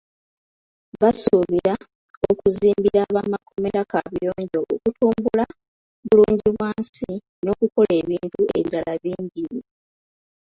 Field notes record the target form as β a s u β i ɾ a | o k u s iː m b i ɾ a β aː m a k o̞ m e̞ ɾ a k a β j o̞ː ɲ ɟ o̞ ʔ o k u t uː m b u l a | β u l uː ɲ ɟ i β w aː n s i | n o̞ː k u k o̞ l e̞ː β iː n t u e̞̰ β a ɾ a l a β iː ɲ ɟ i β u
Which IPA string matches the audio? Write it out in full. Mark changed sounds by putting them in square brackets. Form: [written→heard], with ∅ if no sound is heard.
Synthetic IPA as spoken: β a s u β i ɾ a | o k u [s→z] iː m b i ɾ a β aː m a k o̞ m e̞ ɾ a k a β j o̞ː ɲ ɟ o̞ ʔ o k u t uː m b u l a | β u l uː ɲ ɟ i β w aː n s i | n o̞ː k u k o̞ l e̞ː β iː n t u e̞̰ β [a→i] ɾ a l a β iː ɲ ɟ i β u